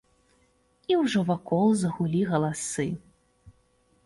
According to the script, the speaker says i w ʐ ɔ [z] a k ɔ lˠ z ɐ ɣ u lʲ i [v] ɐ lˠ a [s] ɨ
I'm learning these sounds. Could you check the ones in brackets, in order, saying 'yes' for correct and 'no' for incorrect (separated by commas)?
no, no, yes